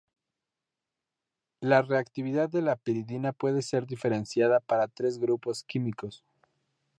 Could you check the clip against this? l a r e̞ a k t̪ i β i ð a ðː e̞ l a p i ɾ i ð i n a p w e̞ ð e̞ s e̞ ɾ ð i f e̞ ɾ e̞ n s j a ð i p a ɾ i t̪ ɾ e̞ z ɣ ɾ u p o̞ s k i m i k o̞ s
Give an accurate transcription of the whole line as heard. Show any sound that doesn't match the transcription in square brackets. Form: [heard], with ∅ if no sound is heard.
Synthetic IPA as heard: l a r e̞ a k t̪ i β i ð a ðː e̞ l a p i ɾ i ð i n a p w e̞ ð e̞ s e̞ ɾ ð i f e̞ ɾ e̞ n s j a ð [a] p a ɾ [a] t̪ ɾ e̞ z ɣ ɾ u p o̞ s k i m i k o̞ s